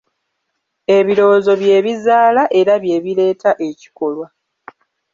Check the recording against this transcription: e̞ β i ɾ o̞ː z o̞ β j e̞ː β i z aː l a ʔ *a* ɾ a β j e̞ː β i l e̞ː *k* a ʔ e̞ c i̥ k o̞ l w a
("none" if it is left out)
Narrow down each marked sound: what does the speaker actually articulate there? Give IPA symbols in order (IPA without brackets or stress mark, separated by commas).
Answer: e, t